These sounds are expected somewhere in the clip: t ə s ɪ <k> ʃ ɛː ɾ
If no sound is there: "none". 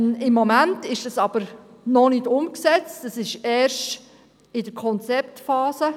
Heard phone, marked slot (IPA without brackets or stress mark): none